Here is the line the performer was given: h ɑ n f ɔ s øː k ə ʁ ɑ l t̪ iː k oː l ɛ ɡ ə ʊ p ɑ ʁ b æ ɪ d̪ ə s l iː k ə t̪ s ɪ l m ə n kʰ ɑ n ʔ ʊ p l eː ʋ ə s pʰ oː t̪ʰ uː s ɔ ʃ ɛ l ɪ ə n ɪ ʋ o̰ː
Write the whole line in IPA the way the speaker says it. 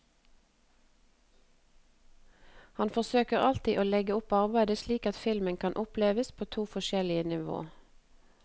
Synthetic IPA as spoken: h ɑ n f ɔ s øː k ə ʁ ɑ l t̪ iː ʔ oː l ɛ ɡ ə ʊ p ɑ ʁ b æ ɪ d̪ ə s l iː k ɑ t̪ f ɪ l m ə n kʰ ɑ n ʔ ʊ p l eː ʋ ə s pʰ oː t̪ʰ uː f ɔ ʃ ɛ l ɪ ə n ɪ ʋ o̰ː